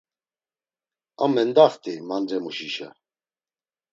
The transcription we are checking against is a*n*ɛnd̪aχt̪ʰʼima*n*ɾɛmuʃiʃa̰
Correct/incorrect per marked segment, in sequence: incorrect: m, correct

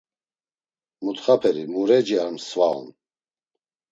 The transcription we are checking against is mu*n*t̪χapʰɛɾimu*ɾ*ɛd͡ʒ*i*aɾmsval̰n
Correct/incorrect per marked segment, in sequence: incorrect: none, correct, correct

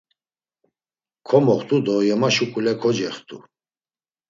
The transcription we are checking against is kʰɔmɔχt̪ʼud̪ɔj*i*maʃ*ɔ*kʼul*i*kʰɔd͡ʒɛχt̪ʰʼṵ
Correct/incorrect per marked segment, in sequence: incorrect: ɛ, incorrect: u, incorrect: ɛ

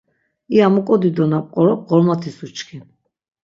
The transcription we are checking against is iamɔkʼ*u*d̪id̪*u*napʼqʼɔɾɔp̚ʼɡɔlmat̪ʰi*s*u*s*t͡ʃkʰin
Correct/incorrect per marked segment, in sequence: incorrect: ɔ, incorrect: ɔ, correct, incorrect: none

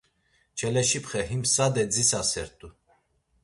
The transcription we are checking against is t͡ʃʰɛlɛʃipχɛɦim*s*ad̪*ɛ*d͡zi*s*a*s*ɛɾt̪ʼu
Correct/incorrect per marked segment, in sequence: correct, correct, correct, correct

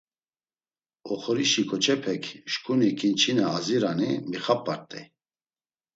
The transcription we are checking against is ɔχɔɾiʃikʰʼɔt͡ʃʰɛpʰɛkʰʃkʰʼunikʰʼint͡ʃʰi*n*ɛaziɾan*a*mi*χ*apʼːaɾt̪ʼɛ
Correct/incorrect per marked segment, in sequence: correct, incorrect: i, correct

